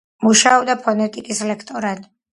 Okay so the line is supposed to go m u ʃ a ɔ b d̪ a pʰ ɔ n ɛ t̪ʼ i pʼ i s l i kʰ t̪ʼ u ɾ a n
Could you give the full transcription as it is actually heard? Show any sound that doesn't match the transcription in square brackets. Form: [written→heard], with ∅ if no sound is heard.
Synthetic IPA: m u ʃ a ɔ b d̪ a pʰ ɔ n ɛ t̪ʼ i [pʼ→kʼ] i s l [i→ɛ] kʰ t̪ʼ [u→ɔ] ɾ a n